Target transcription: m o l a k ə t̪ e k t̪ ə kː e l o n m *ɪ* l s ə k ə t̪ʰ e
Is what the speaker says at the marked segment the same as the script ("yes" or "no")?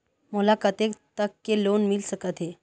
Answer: no